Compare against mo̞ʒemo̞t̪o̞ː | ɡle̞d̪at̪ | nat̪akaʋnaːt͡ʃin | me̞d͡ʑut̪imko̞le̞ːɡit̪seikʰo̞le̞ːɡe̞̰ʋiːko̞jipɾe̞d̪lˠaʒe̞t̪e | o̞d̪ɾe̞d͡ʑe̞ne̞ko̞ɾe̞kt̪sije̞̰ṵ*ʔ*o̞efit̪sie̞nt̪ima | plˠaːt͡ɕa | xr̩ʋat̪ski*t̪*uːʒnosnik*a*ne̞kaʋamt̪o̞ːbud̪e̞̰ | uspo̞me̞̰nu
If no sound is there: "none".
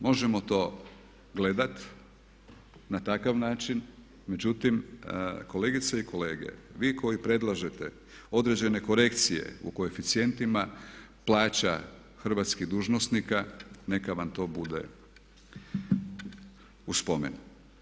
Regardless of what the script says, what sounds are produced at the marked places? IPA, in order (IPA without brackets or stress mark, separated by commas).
k, d̪, a